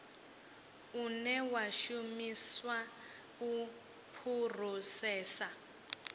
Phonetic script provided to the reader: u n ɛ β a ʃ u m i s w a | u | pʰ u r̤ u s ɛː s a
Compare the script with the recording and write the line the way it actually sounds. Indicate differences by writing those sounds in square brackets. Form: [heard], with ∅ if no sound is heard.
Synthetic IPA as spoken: u n ɛ [w] a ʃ u m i s w a | u | pʰ u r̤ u s ɛː s a